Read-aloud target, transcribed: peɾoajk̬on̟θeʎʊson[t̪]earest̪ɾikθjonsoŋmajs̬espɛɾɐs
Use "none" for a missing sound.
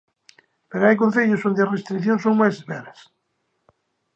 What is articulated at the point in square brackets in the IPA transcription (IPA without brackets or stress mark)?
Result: d̪